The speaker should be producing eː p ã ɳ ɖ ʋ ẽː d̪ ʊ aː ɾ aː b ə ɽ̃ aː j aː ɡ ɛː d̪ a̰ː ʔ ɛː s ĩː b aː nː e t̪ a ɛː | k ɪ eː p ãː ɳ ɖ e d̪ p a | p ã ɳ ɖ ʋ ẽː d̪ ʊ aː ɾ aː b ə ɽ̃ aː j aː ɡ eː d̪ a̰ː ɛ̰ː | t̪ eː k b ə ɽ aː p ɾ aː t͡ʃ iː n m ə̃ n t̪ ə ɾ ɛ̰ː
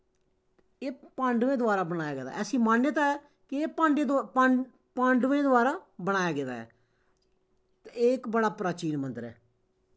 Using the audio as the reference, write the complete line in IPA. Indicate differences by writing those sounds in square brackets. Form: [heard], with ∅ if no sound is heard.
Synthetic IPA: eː p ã ɳ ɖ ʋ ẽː d̪ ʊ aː ɾ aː b ə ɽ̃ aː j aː ɡ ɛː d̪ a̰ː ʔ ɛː s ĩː [m] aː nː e t̪ a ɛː | k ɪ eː p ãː ɳ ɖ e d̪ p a | p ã ɳ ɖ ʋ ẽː d̪ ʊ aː ɾ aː b ə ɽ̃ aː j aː ɡ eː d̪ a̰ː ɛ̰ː | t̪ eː k b ə ɽ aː p ɾ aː t͡ʃ iː n m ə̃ n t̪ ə ɾ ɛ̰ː